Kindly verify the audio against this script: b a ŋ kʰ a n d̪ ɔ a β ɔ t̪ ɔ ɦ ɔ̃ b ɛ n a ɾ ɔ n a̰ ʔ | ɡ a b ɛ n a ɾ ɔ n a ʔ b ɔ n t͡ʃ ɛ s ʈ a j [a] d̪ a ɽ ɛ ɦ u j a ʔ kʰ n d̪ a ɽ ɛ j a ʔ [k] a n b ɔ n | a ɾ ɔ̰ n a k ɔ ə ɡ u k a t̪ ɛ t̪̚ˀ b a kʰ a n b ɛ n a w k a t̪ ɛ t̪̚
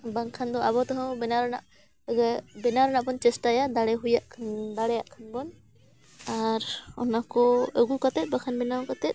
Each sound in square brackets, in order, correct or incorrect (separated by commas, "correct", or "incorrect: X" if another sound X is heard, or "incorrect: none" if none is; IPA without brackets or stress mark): correct, incorrect: kʰ